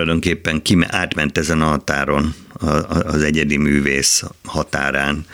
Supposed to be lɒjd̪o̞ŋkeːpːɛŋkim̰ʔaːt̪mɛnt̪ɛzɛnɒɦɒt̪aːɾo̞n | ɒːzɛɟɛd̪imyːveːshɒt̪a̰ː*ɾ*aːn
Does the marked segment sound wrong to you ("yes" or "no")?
no